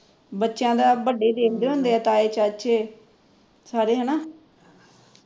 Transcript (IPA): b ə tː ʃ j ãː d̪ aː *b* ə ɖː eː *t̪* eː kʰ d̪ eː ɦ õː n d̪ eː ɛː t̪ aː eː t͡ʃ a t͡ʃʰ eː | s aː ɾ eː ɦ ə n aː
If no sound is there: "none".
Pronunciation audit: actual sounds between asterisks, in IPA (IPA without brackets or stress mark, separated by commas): b, d̪